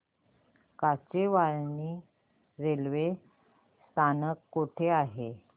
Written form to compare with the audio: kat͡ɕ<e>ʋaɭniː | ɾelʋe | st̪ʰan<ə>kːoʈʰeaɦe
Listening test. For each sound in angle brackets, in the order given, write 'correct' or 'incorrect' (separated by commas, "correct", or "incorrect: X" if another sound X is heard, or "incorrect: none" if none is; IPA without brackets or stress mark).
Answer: correct, correct